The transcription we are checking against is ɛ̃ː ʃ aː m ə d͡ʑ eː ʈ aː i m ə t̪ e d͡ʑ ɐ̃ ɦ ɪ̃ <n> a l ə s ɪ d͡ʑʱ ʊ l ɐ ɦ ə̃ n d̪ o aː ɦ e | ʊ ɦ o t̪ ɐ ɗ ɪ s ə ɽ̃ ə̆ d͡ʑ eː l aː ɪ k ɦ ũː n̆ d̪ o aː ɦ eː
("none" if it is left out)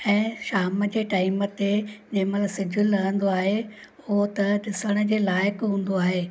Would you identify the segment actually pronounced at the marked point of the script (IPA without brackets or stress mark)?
m